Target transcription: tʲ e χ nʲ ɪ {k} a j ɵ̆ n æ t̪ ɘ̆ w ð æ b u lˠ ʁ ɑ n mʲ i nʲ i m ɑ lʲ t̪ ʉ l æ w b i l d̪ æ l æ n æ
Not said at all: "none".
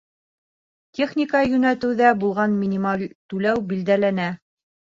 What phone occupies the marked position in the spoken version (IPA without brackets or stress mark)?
k